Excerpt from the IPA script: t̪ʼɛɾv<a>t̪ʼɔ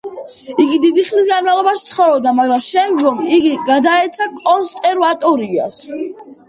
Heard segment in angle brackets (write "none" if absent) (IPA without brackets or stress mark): a